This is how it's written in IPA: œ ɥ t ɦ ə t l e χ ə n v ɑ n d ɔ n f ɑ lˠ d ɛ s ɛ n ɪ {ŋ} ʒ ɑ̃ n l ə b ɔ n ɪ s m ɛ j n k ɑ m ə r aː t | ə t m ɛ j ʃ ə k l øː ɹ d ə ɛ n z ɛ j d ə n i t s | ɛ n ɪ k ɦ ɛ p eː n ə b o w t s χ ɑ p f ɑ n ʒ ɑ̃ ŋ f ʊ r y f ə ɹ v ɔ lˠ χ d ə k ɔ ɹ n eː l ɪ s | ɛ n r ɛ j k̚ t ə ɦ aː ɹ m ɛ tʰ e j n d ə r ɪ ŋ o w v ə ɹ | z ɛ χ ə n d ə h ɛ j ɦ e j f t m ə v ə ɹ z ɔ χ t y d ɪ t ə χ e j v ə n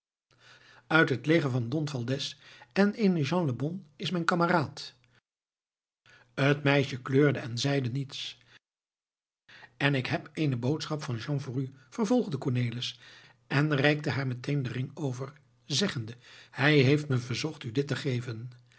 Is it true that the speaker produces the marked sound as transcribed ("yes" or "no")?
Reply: no